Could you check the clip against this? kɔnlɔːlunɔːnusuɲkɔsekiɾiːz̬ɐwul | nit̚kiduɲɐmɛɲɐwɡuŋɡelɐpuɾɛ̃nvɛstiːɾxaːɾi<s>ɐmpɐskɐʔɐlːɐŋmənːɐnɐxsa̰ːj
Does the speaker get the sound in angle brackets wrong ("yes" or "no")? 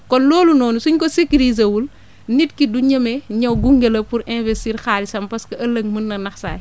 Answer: no